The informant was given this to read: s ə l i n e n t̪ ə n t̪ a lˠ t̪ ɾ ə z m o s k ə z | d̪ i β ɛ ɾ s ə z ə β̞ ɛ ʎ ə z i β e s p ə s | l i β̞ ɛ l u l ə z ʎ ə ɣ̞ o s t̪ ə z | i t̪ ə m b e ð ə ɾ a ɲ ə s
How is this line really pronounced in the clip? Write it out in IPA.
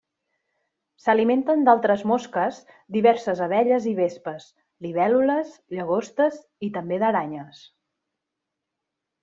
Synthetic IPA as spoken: s ə l i m e n t̪ ə n d̪ a lˠ t̪ ɾ ə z m o s k ə z | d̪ i β ɛ ɾ s ə z ə β̞ ɛ ʎ ə z i β e s p ə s | l i β̞ ɛ l u l ə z ʎ ə ɣ̞ o s t̪ ə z | i t̪ ə m b e ð ə ɾ a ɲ ə s